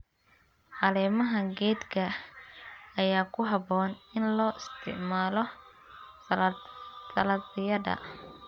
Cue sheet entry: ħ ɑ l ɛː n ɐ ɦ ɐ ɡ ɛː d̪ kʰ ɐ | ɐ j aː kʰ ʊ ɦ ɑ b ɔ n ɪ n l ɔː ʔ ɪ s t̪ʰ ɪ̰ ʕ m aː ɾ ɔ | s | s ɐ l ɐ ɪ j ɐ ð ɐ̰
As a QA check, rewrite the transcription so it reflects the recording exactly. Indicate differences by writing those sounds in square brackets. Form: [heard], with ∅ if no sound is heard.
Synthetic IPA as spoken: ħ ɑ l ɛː [m] ɐ ɦ ɐ ɡ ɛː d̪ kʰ ɐ | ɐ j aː kʰ ʊ ɦ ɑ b [ɔː] n ɪ n l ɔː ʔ ɪ s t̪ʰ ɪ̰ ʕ m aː [l] ɔ | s | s ɐ l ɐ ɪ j ɐ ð ɐ̰